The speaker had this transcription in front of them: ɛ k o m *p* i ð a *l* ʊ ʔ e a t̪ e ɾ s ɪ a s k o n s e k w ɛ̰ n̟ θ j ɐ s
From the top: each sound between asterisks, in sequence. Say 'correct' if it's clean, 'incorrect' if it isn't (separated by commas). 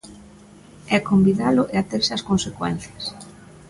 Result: incorrect, correct